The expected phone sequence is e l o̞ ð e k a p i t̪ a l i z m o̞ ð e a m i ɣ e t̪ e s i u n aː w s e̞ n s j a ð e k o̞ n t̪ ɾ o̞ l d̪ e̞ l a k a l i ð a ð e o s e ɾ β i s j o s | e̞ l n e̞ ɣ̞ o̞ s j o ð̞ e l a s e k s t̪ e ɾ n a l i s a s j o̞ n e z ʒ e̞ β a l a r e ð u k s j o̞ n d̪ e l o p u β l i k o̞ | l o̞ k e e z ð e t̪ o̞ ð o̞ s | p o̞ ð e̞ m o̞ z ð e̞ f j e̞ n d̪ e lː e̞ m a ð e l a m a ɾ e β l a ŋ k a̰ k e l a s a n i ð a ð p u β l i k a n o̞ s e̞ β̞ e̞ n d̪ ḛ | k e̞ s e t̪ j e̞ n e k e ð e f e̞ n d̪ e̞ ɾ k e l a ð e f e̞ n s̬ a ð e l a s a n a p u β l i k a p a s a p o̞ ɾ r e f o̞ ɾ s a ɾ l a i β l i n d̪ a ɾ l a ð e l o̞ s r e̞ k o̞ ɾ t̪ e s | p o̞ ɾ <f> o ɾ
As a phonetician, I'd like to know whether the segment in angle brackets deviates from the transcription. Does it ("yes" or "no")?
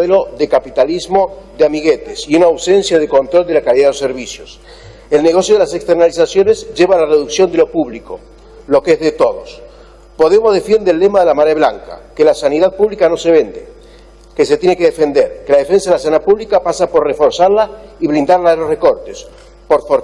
no